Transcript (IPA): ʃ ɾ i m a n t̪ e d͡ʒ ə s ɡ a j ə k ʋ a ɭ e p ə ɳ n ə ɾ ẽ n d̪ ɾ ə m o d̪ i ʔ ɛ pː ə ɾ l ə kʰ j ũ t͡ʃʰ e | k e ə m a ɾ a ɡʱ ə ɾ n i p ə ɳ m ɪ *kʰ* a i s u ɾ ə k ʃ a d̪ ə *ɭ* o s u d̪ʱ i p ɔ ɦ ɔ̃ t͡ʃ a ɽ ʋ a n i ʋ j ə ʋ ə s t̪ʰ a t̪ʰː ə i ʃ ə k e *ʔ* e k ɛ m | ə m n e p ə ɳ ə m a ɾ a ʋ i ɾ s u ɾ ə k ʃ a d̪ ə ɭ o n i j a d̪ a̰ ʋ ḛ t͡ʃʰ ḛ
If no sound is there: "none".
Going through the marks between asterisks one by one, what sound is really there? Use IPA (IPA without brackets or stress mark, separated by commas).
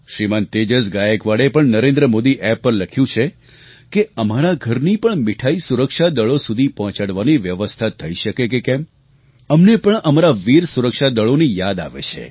ʈʰ, ɭ, k